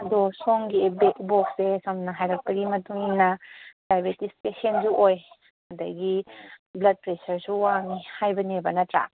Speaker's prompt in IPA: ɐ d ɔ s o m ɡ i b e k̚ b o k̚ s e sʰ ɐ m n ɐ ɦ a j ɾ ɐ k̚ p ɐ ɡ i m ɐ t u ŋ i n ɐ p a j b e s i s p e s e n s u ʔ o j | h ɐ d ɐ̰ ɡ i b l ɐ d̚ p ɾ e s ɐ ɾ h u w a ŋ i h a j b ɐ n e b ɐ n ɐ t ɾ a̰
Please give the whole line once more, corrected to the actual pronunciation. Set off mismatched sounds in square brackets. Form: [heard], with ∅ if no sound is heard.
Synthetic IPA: ɐ d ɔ s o [ŋ] ɡ i b e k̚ b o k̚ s e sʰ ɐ m n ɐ ɦ a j ɾ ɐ k̚ p ɐ ɡ i m ɐ t u ŋ i n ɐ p a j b e [t] i s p e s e n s u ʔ o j | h ɐ d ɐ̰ ɡ i b l ɐ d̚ p ɾ e s ɐ ɾ [s] u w a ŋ i h a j b ɐ n e b ɐ n ɐ t ɾ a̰

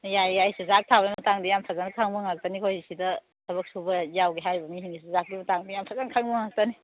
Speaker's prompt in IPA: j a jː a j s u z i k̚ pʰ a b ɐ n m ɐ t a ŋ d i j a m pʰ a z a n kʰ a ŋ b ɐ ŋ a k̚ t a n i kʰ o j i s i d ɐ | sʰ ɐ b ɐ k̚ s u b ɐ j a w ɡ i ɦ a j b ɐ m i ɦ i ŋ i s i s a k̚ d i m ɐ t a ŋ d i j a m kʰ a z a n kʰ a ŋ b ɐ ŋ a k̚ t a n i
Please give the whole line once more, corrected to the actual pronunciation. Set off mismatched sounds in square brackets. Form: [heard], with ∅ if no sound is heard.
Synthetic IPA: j a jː a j s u z [a] k̚ [tʰ] a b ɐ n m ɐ t a ŋ d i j a m pʰ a z a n kʰ a ŋ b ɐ ŋ a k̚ t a n i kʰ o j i s i d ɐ | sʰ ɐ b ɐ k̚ s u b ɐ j a w ɡ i ɦ a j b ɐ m i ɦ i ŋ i s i [z] a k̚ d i m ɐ t a ŋ d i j a m [pʰ] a z a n kʰ a ŋ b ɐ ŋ a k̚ t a n i

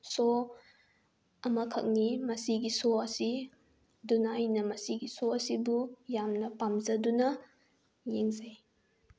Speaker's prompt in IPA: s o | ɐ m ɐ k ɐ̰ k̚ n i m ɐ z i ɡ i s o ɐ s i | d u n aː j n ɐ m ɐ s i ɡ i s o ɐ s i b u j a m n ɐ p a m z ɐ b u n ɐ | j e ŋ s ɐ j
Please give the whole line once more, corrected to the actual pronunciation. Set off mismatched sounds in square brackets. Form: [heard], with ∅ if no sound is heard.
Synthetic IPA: s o | ɐ m ɐ [kʰ] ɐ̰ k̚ n i m ɐ [s] i ɡ i s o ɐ s i | d u n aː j n ɐ m ɐ s i ɡ i s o ɐ s i b u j a m n ɐ p a m z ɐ [d] u n ɐ | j e ŋ [z] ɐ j

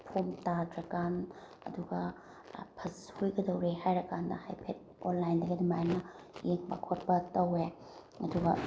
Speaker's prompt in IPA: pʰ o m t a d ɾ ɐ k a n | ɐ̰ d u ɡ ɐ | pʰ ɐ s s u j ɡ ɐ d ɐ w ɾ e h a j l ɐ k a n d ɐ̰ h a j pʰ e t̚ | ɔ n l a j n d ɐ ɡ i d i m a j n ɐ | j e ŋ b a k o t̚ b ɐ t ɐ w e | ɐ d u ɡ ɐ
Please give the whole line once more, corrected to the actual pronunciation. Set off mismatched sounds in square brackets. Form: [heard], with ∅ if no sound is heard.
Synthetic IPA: pʰ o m t a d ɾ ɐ k a n | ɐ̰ d u ɡ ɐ | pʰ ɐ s [h] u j ɡ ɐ d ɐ w ɾ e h a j [ɾ] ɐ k a n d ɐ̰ h a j pʰ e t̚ | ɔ n l a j n d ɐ ɡ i d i m a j n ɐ | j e ŋ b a [kʰ] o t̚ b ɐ t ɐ w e | ɐ d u ɡ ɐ

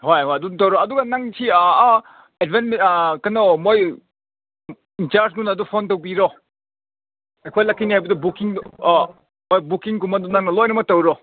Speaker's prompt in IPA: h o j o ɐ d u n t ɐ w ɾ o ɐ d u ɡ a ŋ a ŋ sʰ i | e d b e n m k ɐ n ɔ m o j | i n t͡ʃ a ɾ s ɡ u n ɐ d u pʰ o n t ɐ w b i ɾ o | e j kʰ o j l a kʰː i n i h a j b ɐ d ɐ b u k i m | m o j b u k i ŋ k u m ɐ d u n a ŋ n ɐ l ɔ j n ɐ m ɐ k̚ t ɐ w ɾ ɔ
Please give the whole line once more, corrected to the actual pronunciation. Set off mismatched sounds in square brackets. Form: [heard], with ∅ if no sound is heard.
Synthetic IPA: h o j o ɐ d u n t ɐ w ɾ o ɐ d u ɡ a [n] a ŋ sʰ i | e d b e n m k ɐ n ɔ m o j | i n t͡ʃ a ɾ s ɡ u n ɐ d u pʰ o n t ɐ w b i ɾ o | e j kʰ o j l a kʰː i n i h a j b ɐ d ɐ b u k i [ŋ] | m o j b u k i ŋ k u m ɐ d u n a ŋ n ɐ l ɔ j n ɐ m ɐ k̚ t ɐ w ɾ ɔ

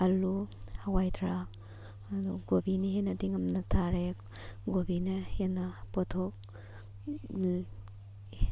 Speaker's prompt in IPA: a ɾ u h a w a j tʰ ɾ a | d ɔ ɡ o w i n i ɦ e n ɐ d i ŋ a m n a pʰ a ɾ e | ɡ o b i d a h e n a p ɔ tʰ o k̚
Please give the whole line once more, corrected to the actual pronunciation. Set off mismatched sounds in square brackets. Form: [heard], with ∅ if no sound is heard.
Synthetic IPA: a [l] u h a w a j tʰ ɾ a | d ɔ ɡ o [b] i n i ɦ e n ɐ d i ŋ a m n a [tʰ] a ɾ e | ɡ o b i [n] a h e n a p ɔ tʰ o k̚

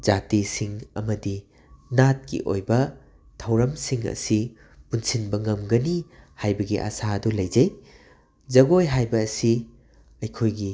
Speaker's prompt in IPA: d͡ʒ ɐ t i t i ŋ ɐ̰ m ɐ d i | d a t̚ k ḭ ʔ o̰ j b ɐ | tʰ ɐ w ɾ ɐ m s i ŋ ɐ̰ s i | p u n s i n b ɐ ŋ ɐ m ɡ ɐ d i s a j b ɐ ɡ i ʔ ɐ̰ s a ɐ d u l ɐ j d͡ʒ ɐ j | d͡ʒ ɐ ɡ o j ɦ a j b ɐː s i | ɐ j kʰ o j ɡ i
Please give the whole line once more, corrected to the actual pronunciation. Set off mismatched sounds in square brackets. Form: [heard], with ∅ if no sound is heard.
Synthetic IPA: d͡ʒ [a] t i [s] i ŋ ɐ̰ m ɐ d i | [n] a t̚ k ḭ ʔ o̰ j b ɐ | tʰ ɐ w ɾ ɐ m s i ŋ ɐ̰ s i | p u n s i n b ɐ ŋ ɐ m ɡ ɐ [n] i [h] a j b ɐ ɡ i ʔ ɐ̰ s a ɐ d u l ɐ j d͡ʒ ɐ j | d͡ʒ ɐ ɡ o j ɦ a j b ɐː s i | ɐ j kʰ o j ɡ i

